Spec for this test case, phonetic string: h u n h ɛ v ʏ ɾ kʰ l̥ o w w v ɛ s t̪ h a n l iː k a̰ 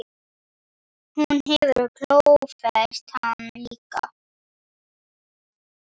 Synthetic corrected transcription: h u n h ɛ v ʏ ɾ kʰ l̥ o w w f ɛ s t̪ h a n l iː k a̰